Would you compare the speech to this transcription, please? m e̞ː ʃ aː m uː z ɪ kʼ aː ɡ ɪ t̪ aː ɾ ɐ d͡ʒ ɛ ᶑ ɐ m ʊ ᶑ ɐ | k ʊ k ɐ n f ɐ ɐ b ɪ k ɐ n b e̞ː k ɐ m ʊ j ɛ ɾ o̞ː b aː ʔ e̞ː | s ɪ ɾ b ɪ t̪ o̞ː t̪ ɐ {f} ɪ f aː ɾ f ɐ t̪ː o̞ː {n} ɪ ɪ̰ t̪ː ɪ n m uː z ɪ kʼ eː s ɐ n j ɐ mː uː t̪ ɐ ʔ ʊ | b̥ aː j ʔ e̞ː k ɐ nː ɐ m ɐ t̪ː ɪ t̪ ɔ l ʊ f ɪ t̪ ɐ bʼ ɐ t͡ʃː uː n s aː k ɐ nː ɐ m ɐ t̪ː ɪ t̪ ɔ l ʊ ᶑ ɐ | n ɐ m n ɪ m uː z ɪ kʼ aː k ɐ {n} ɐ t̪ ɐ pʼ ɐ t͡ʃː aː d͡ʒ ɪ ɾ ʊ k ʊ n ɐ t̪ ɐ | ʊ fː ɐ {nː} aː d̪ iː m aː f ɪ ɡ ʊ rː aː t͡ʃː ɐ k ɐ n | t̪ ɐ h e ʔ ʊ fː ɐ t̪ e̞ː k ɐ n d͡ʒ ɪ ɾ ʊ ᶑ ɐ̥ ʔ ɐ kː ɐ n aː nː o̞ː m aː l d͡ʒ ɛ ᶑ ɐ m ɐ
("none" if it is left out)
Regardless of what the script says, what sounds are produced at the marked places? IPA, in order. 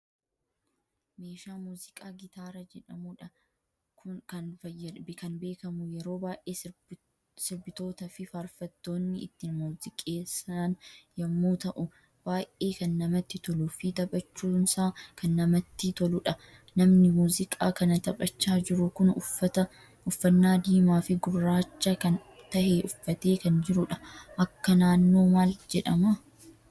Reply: f, nː, n, nː

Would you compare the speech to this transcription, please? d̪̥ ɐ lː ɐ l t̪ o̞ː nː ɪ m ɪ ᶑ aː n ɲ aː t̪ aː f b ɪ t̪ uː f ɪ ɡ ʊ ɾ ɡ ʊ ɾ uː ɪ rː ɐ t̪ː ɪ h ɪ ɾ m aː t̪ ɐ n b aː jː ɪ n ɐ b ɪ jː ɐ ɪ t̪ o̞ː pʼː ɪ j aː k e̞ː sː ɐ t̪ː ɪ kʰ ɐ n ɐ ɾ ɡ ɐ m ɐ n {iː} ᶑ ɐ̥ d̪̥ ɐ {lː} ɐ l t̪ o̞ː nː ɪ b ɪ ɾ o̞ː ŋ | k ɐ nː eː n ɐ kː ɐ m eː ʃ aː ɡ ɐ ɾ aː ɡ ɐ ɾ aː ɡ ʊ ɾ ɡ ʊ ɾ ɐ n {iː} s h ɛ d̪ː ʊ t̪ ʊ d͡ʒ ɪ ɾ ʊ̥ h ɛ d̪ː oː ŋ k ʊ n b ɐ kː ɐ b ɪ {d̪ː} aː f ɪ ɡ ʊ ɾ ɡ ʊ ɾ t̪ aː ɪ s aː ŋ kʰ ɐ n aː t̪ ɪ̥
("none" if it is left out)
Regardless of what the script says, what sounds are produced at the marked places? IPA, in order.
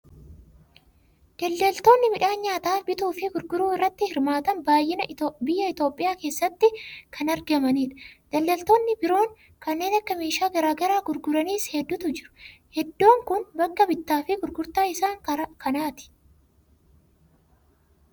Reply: iː, lː, iː, t̪ː

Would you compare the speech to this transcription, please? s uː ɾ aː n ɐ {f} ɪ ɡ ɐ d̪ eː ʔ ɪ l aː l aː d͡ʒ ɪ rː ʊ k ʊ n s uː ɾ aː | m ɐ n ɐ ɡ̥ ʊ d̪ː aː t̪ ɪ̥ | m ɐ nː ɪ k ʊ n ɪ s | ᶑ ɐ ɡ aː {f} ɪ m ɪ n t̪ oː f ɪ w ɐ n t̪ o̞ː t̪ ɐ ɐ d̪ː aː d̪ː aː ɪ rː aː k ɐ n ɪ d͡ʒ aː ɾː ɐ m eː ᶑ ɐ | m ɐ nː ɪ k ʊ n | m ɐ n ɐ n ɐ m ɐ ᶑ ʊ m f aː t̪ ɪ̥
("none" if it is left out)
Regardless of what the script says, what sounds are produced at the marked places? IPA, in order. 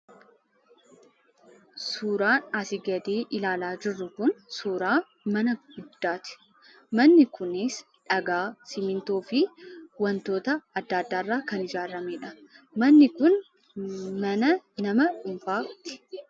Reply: s, s

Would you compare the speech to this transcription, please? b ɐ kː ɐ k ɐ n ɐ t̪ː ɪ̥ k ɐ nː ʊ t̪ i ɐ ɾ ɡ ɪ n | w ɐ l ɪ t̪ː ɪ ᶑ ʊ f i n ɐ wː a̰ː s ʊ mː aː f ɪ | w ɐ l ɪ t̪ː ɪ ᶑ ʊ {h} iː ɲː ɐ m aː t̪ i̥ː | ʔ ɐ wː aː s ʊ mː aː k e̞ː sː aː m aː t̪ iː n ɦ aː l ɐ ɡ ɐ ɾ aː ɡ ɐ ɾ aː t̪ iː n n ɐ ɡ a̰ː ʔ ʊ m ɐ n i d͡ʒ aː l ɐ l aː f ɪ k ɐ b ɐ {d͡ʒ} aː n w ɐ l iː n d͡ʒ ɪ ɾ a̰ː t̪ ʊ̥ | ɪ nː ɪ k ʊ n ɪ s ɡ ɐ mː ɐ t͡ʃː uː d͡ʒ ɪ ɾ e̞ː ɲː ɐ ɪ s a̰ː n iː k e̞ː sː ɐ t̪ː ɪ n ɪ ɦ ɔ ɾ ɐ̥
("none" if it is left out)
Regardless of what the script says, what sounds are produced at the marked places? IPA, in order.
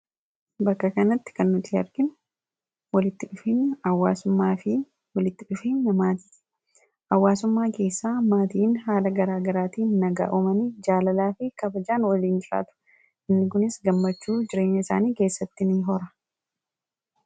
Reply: f, d͡ʒ

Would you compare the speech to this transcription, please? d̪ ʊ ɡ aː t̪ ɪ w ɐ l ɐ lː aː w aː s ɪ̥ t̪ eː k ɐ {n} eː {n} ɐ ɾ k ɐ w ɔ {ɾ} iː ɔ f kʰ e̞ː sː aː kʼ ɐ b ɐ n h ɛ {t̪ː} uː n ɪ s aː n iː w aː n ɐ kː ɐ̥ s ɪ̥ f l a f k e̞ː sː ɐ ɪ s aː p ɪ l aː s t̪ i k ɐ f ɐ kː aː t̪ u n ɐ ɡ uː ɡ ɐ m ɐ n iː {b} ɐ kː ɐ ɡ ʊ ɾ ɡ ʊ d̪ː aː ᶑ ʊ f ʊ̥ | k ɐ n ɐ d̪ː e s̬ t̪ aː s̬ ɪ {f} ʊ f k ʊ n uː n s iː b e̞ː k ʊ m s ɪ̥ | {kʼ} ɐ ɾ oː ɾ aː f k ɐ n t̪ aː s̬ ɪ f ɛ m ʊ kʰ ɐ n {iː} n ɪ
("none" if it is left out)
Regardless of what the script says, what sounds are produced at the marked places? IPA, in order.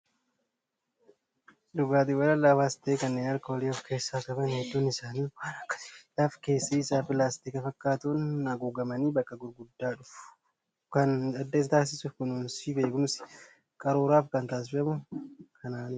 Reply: nː, n, l, d̪ː, b, s, kʼ, aː

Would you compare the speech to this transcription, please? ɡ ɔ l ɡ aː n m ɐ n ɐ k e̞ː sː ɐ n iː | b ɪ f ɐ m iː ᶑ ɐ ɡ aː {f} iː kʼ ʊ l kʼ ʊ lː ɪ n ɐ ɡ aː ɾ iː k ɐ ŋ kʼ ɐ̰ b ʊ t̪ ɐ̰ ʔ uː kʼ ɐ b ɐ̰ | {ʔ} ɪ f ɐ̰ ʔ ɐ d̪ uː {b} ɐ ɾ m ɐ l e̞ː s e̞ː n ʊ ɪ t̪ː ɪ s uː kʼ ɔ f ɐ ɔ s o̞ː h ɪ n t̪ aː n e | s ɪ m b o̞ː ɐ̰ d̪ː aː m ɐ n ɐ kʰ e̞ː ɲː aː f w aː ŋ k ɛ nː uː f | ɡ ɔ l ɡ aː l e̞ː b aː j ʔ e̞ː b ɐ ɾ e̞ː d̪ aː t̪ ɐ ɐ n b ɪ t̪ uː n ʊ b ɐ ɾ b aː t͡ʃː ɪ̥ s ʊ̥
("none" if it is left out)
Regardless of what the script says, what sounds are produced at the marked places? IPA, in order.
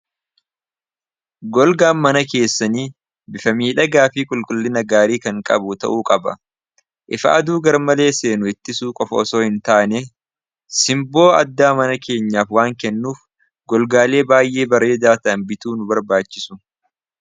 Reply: f, ʔ, ɡ

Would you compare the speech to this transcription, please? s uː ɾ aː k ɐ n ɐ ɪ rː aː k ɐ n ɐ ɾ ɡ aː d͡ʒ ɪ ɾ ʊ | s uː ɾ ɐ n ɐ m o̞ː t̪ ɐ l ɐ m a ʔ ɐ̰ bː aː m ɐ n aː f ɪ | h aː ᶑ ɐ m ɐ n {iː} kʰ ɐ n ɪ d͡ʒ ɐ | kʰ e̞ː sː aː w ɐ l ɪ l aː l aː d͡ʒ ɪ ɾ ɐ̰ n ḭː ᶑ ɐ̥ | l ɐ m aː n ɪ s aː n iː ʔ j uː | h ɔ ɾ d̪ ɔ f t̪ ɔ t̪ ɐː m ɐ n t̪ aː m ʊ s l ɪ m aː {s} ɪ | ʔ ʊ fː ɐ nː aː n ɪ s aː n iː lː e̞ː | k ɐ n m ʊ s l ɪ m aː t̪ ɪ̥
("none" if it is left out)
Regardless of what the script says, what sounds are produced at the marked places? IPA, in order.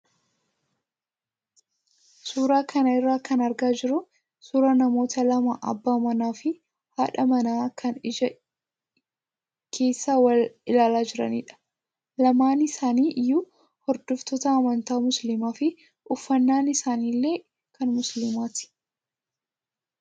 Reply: aː, f

